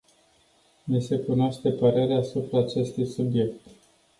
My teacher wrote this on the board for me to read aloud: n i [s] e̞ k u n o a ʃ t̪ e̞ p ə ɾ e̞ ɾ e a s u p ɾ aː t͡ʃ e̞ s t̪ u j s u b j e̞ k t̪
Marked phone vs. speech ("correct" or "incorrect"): correct